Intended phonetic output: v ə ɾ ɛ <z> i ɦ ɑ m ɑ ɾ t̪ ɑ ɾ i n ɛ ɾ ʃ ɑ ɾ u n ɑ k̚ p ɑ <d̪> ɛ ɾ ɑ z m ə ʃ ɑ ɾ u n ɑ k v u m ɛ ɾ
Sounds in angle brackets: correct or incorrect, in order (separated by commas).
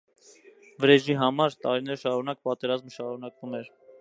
incorrect, incorrect